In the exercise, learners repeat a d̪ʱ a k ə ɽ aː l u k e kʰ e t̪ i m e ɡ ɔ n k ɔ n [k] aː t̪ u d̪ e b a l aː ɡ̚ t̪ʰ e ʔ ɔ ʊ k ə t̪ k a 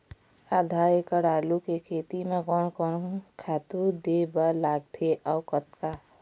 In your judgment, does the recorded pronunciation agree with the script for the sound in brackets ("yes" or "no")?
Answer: no